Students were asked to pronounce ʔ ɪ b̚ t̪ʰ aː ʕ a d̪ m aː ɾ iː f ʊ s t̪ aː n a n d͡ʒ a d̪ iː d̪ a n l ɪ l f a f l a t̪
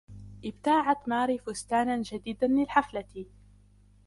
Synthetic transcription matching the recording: ʔ ɪ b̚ t̪ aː ʕ a t̪ m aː ɾ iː f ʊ s t̪ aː n a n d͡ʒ a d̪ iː d̪ a n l ɪ l ħ a f l a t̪